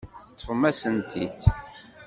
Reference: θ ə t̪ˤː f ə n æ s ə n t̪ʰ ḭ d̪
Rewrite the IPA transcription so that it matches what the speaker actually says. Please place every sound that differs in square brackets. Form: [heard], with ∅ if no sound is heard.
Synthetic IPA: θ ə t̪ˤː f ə [m] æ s ə n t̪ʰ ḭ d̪